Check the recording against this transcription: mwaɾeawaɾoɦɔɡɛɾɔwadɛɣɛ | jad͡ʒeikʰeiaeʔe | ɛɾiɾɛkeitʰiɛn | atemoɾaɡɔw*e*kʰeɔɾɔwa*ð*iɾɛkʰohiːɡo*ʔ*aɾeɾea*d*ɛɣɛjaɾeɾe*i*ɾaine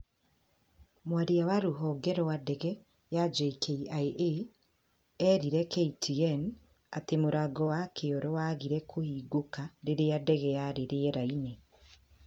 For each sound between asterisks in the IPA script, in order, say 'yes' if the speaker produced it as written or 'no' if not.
no, no, no, yes, no

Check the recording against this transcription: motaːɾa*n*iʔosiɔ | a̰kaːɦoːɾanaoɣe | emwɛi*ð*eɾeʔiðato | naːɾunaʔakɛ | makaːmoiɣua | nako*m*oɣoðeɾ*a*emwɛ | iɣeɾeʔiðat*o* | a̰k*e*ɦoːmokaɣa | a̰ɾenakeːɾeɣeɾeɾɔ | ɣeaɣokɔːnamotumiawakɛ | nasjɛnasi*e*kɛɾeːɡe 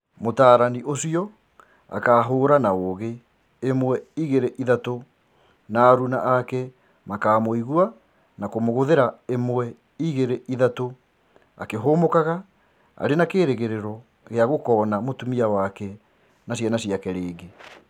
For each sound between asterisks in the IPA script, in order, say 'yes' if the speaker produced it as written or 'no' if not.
yes, no, yes, yes, yes, yes, no

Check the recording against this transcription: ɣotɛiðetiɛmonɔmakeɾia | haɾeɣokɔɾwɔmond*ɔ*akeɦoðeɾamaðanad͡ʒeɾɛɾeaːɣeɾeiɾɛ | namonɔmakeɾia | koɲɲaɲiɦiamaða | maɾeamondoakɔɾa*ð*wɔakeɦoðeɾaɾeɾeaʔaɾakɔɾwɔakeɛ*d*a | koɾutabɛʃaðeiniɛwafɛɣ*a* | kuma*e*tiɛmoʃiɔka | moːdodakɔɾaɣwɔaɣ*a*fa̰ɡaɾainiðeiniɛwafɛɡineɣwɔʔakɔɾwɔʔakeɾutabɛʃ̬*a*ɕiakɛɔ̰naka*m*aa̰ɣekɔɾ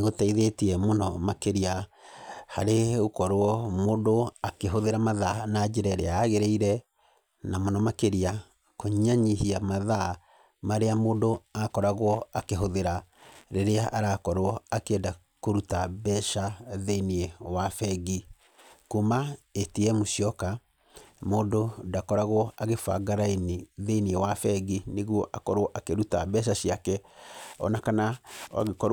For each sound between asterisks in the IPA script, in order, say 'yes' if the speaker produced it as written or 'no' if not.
no, no, yes, no, yes, no, yes, no

